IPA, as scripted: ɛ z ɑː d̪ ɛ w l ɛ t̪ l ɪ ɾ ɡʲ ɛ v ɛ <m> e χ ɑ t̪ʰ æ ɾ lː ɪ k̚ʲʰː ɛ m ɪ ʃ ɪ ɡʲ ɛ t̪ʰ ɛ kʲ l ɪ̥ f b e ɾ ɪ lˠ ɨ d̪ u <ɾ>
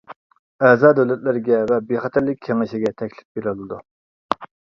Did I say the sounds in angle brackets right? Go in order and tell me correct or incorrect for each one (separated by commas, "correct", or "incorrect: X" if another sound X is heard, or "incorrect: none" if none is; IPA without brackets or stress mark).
incorrect: b, incorrect: none